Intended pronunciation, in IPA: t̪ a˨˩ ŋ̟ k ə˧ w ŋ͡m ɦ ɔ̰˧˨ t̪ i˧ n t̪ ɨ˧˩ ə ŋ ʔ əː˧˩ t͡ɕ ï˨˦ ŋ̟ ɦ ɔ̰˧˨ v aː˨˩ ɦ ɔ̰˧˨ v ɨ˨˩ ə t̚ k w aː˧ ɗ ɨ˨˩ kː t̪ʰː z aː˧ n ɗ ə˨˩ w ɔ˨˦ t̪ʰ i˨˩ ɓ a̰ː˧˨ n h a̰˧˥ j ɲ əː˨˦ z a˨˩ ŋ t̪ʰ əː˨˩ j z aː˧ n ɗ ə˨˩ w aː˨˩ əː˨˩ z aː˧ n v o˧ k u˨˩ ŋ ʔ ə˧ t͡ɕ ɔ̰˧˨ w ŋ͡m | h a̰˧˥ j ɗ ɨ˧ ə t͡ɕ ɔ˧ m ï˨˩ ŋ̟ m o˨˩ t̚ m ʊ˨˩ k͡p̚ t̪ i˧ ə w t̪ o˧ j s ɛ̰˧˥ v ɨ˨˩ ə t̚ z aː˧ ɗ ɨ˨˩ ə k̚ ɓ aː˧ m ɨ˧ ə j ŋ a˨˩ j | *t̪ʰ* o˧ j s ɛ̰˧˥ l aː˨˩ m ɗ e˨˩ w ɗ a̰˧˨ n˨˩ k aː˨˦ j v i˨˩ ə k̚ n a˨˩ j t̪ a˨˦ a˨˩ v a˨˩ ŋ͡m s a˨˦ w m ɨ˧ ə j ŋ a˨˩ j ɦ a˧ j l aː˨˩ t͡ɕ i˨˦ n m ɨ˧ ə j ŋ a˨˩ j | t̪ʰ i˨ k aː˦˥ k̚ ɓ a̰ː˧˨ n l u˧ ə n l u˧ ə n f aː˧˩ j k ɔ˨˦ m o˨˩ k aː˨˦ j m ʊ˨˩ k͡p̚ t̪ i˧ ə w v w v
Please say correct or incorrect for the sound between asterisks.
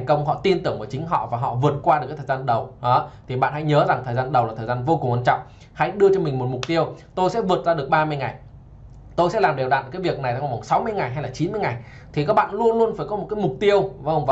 incorrect: t̪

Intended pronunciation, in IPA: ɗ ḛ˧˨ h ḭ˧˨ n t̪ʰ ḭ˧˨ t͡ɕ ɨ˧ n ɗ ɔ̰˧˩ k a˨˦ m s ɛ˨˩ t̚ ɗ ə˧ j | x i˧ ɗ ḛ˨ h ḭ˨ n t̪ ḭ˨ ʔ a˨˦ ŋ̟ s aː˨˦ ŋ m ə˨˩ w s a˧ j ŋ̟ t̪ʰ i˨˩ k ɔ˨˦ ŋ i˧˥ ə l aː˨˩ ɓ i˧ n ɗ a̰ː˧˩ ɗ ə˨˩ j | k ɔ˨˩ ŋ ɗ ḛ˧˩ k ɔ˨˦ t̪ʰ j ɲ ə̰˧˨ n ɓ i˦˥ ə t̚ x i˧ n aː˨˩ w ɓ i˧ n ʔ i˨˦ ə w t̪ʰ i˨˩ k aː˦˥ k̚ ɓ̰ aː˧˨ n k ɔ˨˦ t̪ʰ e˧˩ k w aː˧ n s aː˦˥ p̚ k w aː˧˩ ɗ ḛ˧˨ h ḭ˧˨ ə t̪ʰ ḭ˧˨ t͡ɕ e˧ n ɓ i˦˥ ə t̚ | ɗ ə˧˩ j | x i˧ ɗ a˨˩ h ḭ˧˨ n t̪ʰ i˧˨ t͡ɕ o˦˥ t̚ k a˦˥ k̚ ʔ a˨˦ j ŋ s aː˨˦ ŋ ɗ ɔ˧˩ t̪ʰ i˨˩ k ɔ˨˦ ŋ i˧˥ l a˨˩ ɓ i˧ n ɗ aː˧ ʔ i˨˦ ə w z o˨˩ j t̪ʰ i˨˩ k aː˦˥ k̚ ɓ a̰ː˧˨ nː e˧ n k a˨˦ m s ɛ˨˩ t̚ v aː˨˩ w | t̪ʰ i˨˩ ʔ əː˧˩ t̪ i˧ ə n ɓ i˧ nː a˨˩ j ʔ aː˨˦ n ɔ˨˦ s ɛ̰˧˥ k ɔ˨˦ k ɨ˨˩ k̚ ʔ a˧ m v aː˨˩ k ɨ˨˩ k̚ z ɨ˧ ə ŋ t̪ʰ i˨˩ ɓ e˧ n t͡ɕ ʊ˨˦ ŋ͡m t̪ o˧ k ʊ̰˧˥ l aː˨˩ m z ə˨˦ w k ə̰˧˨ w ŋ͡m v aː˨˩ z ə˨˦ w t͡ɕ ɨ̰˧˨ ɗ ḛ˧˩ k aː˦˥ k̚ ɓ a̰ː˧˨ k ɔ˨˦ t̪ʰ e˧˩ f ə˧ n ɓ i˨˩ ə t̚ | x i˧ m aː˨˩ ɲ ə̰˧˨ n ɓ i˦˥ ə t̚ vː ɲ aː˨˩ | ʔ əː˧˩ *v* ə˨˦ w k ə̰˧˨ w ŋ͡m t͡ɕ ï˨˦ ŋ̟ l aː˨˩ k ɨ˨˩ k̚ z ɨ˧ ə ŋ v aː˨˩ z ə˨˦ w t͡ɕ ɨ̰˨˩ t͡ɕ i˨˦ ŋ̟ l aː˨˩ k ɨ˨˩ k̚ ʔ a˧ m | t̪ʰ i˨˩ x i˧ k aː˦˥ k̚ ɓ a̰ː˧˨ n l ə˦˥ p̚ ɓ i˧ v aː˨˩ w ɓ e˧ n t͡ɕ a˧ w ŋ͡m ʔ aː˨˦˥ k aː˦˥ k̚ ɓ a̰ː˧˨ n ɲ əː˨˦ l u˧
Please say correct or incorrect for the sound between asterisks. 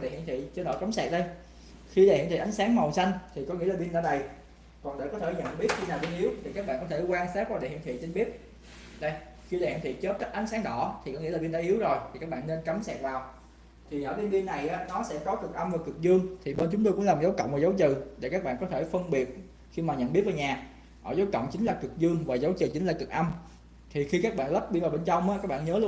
incorrect: z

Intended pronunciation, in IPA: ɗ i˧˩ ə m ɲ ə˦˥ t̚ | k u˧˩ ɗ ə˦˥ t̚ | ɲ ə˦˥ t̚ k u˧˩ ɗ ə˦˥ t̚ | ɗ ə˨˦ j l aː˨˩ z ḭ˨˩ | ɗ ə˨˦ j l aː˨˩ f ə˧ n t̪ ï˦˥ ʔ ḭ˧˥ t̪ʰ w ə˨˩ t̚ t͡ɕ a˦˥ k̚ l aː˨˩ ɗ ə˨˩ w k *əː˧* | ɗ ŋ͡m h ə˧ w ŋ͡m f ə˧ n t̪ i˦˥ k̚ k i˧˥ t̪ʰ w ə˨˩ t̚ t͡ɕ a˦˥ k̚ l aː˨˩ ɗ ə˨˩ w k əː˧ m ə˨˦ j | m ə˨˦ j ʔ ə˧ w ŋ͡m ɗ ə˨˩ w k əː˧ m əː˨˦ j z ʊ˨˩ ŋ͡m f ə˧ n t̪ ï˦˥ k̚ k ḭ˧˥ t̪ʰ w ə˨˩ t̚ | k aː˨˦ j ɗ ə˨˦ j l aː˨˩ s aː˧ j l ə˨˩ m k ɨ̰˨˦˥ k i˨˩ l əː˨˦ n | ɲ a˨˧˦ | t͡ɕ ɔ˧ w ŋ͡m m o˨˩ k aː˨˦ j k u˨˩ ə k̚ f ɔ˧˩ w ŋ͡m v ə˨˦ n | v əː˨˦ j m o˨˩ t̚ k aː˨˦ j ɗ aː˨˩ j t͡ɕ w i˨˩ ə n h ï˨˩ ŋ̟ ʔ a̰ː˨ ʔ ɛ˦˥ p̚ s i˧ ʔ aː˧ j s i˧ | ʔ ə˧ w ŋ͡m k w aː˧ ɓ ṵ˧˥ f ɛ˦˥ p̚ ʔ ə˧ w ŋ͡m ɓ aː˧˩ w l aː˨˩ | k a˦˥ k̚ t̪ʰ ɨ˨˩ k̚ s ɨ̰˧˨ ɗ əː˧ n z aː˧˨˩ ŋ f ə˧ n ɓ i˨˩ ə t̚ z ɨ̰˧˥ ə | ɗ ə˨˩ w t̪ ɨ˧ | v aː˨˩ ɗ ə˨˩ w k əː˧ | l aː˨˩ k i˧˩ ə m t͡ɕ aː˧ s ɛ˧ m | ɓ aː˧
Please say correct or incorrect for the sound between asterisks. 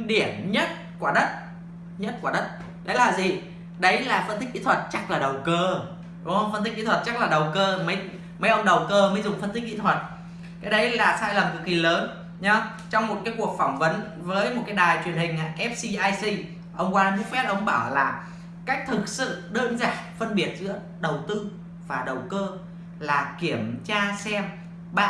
correct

